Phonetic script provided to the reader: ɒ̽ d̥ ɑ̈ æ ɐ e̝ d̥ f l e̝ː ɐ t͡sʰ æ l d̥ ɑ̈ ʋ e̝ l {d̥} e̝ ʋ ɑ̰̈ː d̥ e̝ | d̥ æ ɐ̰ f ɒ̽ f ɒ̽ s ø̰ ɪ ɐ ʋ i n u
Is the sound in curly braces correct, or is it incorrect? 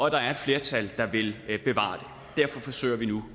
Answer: incorrect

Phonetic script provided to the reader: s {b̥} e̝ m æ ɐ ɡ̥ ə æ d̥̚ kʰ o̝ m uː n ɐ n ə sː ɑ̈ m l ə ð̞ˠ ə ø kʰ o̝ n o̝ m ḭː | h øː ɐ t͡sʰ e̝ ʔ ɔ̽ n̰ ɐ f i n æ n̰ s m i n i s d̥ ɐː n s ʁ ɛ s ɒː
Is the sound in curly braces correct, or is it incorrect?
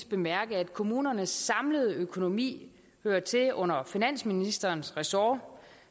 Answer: correct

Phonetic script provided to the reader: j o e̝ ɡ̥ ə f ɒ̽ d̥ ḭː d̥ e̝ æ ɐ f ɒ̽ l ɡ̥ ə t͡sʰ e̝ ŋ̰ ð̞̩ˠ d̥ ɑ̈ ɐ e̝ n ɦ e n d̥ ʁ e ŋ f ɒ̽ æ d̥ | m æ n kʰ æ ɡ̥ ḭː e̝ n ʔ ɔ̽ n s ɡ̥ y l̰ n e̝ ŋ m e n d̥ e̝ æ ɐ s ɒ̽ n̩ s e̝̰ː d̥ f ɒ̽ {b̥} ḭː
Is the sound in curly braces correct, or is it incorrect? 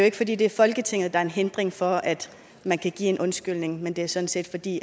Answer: incorrect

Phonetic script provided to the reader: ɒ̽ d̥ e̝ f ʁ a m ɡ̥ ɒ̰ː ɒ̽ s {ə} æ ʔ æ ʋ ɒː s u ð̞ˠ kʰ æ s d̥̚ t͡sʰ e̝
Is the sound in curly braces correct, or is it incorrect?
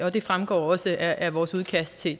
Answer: correct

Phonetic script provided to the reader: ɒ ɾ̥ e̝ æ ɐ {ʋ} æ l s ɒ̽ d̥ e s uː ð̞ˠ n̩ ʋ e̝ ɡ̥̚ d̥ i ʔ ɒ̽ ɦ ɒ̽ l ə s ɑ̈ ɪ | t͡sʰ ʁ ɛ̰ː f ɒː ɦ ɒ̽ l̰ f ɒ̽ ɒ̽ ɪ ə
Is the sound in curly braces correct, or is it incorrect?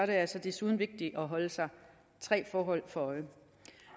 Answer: incorrect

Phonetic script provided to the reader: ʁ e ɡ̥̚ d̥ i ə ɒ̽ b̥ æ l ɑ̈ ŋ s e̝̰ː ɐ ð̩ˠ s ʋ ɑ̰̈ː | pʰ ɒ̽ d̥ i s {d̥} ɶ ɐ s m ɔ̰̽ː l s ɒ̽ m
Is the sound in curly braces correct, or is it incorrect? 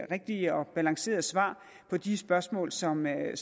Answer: incorrect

